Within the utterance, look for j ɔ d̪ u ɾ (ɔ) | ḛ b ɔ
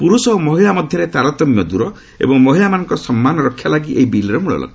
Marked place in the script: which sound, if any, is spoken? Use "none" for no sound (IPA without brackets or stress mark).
ɔ